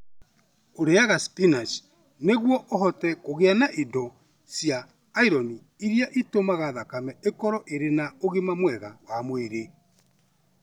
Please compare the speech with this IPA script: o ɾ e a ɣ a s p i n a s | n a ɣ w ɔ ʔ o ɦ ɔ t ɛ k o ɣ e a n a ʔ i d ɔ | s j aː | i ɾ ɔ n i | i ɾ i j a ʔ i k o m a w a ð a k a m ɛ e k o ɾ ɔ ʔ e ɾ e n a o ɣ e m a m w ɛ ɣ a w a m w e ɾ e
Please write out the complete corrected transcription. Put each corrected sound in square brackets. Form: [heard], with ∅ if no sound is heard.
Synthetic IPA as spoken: o ɾ e a ɣ a s p i n a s | n [e] ɣ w ɔ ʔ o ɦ ɔ t ɛ k o ɣ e a n a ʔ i d ɔ | s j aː | i ɾ ɔ n i | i ɾ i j a ʔ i [t] o m a [ɣ] a ð a k a m ɛ e k [ɔ] ɾ ɔ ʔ e ɾ e n a o ɣ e m a m w ɛ ɣ a w a m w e ɾ e